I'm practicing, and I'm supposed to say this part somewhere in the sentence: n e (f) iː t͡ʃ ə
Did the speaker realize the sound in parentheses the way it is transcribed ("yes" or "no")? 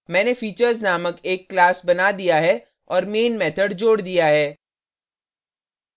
yes